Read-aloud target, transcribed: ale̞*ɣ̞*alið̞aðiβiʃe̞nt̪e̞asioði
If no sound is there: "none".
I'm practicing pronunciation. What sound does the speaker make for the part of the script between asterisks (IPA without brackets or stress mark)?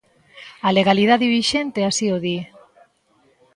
ɣ̞